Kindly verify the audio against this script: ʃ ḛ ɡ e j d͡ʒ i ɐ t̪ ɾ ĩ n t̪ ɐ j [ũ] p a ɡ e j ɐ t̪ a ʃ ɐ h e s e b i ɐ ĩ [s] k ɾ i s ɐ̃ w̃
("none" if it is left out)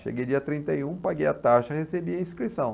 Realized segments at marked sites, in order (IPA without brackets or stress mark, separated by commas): ũ, s